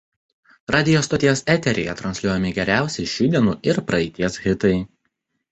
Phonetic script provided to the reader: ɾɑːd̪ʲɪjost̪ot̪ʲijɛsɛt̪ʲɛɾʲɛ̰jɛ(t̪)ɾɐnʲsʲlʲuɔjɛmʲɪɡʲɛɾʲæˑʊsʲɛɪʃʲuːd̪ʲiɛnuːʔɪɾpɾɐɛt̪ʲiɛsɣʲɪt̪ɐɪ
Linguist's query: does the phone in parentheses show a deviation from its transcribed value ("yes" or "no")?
no